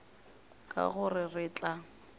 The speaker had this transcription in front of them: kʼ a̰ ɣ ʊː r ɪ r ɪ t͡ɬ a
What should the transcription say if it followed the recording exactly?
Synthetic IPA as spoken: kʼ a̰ ɣ ʊ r ɪ r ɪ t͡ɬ a